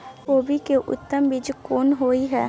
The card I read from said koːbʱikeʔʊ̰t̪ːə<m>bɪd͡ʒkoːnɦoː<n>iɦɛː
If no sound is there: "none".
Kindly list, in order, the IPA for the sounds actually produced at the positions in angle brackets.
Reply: m, none

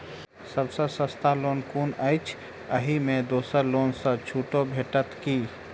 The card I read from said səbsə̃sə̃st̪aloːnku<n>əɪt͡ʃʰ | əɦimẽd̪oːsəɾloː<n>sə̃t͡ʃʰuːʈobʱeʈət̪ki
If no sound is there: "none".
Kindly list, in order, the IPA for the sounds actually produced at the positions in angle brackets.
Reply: n, n

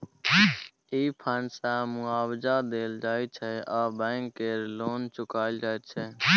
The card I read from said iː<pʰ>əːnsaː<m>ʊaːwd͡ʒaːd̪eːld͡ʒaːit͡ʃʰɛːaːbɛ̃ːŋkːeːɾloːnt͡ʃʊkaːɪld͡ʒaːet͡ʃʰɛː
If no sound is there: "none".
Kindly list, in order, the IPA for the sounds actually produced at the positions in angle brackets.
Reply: pʰ, m

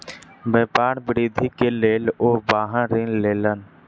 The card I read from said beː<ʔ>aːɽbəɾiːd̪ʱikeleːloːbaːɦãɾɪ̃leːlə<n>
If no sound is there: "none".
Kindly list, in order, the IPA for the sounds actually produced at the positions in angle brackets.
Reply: p, n

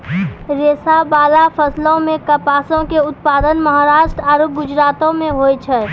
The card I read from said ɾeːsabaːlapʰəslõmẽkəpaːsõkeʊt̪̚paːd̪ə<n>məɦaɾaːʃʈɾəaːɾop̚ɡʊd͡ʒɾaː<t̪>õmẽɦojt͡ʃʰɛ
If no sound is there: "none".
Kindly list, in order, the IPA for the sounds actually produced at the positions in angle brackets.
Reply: n, t̪

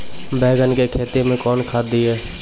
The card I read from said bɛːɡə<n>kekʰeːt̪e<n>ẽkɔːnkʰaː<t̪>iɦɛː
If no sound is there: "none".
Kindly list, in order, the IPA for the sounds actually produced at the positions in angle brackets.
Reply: n, m, d̪

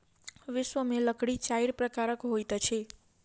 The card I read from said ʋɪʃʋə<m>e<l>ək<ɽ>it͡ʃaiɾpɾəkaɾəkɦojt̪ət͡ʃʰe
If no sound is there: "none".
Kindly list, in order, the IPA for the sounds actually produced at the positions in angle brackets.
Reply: m, l, ɽ

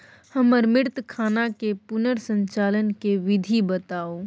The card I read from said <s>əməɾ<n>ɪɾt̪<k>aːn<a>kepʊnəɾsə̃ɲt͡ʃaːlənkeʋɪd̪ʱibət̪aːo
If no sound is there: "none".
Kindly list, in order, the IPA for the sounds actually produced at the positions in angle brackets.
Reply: h, m, kʰ, a

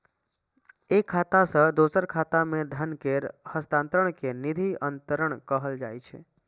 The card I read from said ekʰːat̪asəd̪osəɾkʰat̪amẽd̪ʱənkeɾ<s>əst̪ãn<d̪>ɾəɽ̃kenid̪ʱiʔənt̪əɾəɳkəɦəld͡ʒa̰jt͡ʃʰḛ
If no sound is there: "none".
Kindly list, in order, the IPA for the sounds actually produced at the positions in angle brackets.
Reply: h, t̪

